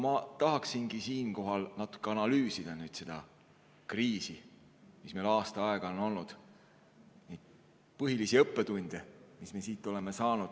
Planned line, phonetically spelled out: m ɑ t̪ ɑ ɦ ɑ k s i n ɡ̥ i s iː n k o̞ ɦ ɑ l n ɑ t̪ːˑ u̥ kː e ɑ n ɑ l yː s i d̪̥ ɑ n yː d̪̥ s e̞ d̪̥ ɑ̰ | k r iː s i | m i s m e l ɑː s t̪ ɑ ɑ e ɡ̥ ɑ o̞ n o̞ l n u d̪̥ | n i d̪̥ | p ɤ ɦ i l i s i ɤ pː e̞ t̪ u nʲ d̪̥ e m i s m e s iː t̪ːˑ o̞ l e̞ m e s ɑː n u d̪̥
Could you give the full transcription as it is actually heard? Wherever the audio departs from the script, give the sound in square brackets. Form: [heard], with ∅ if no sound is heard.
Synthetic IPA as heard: m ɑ t̪ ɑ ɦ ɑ k s i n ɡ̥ i s iː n k o̞ ɦ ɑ l n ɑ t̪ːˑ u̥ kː e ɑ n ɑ l yː s i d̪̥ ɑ n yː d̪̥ s e̞ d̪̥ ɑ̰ | k r iː s i | m i s m e l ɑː s t̪ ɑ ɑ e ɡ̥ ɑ o̞ n o̞ l n u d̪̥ | n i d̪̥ | p ɤ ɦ i l i s i ɤ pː e̞ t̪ u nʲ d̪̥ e m i s m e s iː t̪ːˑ o̞ l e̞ m e s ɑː n u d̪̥